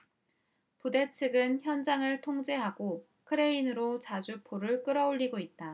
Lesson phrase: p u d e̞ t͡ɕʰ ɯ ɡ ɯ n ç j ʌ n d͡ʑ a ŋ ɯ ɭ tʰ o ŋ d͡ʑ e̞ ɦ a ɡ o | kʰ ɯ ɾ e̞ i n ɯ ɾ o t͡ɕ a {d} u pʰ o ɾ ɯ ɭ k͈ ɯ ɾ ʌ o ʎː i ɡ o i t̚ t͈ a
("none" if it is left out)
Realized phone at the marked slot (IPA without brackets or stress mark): d͡ʑ